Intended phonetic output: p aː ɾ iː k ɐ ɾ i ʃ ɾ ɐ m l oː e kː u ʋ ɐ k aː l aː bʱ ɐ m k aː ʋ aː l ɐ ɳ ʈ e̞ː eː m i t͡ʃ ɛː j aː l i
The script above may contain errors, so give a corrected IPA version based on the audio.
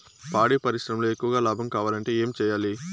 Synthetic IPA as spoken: p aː ɽ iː p ɐ ɾ i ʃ ɾ ɐ m l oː e kː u ʋ ɐ ɡ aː l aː bʱ ɐ m k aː ʋ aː l ɐ ɳ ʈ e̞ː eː m i t͡ʃ ɛː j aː l i